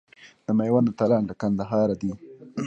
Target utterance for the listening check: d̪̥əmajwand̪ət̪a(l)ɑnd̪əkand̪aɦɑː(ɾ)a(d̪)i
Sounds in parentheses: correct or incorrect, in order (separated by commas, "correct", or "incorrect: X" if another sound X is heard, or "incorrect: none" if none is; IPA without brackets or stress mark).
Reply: correct, correct, correct